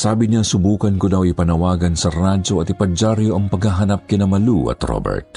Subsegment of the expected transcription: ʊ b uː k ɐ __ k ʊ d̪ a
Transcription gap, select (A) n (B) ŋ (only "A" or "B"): A